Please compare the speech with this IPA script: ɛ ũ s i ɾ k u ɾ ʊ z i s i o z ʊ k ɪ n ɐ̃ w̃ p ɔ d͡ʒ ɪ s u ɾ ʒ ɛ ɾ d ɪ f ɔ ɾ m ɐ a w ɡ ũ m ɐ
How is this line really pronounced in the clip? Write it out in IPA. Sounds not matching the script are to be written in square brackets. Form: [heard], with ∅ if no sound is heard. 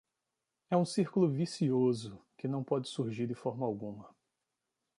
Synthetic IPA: ɛ ũ s i ɾ k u [l] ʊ [v] i s i o z ʊ k ɪ n ɐ̃ w̃ p ɔ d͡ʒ ɪ s u ɾ ʒ [i] ɾ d ɪ f ɔ ɾ m ɐ a w ɡ ũ m ɐ